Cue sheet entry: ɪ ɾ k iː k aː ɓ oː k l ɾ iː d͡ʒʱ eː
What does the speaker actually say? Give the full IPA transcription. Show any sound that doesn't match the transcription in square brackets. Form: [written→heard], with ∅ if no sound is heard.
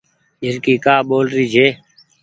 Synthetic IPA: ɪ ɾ k iː k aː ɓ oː [k→∅] l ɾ iː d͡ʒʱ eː